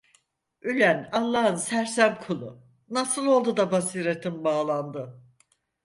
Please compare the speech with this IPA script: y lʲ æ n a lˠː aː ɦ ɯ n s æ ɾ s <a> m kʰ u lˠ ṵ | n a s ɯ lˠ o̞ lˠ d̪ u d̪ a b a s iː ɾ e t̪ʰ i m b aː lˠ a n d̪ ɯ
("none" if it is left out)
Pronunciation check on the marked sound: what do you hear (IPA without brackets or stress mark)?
æ